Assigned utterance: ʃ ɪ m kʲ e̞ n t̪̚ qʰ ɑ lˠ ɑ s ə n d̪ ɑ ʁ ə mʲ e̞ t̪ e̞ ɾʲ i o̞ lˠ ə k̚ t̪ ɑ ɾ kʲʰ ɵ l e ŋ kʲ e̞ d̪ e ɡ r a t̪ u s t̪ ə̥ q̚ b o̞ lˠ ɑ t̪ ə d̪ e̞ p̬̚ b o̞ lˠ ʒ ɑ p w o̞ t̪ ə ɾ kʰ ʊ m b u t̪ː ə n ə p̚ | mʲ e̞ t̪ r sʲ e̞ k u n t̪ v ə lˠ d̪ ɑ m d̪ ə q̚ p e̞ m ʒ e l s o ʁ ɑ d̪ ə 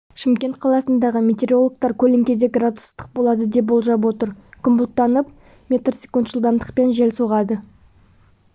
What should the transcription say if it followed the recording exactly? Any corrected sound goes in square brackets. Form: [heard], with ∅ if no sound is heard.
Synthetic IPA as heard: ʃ ɪ m kʲ e̞ n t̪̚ qʰ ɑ lˠ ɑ s ə n d̪ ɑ ʁ ə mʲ e̞ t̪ e̞ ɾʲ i o̞ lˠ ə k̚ t̪ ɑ ɾ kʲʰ ɵ l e ŋ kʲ e̞ d̪ e ɡ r a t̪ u s t̪ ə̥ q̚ b o̞ lˠ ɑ [d̪] ə d̪ e̞ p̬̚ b o̞ lˠ ʒ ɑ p w o̞ t̪ ə ɾ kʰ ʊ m b u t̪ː [ɑ] n ə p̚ | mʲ e̞ t̪ r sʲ e̞ k u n t̪ [ʒ] ə lˠ d̪ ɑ m d̪ ə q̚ p e̞ [n] ʒ e l s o ʁ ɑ d̪ ə